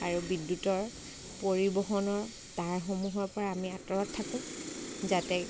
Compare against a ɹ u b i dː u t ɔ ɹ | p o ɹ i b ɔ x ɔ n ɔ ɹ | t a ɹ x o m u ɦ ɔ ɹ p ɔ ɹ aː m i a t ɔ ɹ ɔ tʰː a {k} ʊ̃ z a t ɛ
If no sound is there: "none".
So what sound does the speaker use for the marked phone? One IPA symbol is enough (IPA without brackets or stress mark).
k